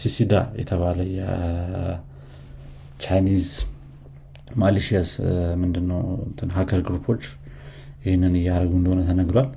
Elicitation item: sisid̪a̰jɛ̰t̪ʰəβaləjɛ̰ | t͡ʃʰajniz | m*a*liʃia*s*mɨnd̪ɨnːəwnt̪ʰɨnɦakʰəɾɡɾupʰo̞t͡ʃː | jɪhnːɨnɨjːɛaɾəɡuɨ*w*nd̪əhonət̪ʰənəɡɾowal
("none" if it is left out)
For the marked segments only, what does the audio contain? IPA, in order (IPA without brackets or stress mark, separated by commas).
a, s, none